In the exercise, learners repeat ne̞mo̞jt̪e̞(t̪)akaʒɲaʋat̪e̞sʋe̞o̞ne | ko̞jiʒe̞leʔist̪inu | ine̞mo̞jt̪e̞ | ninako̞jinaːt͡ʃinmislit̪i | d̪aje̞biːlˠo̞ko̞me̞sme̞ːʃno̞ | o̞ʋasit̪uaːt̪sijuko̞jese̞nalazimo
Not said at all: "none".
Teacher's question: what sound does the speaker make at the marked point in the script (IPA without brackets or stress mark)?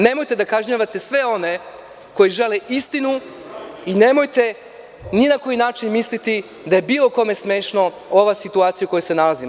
d̪